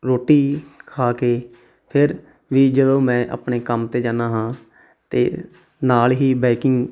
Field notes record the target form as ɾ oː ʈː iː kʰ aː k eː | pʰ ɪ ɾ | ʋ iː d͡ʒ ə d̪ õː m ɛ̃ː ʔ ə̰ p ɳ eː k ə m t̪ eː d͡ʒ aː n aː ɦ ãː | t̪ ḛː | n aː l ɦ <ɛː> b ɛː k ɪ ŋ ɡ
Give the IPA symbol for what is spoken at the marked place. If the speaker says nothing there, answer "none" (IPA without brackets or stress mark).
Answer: iː